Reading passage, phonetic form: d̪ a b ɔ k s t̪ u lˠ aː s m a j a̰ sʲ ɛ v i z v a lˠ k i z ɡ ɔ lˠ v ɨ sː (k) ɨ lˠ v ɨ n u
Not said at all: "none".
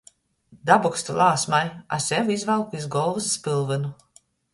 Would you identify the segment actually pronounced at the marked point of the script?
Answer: p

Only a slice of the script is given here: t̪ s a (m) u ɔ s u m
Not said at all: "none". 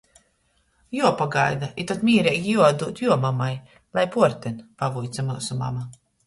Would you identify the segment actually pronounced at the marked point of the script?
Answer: m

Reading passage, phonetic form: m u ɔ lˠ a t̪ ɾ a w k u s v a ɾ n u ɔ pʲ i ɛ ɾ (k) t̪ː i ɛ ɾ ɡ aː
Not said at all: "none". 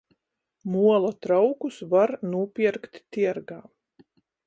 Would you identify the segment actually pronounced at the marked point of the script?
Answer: k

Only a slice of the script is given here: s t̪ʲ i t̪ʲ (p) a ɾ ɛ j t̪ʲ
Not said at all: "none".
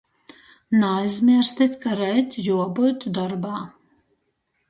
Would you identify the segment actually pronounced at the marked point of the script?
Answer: k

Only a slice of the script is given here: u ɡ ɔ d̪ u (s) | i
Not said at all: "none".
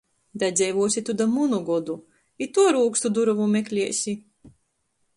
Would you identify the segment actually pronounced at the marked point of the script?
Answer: none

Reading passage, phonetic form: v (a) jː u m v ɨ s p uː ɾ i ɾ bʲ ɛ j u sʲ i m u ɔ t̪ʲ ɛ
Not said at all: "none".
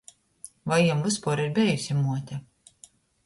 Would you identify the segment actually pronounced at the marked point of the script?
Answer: a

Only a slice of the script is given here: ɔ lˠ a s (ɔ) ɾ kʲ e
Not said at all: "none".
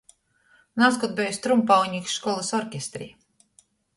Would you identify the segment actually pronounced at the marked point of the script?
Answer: ɔ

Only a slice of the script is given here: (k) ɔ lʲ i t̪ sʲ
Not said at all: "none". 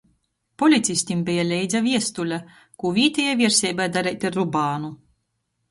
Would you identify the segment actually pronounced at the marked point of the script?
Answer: p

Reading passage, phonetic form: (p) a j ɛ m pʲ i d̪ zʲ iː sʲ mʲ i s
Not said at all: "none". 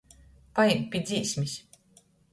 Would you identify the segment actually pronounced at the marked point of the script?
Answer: p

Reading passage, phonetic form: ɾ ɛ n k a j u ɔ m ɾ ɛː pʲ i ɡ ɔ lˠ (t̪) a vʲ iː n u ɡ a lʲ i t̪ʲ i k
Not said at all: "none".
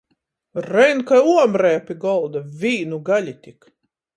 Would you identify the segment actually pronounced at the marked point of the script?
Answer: d̪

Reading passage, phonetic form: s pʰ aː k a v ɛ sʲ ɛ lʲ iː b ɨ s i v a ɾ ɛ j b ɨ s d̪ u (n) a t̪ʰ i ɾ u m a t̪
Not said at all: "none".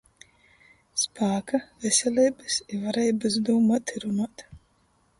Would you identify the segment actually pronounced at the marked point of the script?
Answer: m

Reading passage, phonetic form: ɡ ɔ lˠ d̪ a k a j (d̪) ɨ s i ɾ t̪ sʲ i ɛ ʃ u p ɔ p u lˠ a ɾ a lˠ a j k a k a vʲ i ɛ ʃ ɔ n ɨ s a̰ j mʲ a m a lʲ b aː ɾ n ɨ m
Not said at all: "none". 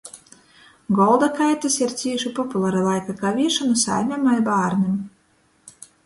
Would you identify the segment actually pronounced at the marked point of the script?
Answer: t̪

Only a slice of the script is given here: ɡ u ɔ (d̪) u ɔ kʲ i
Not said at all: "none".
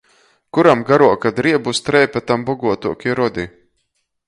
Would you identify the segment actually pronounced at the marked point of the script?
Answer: t̪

